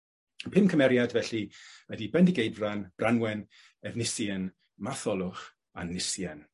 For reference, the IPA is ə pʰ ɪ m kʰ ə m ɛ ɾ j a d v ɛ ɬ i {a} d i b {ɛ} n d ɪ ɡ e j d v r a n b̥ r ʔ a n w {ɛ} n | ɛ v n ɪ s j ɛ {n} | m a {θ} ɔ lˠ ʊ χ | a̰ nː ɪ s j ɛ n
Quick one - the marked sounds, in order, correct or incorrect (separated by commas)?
incorrect, correct, correct, correct, correct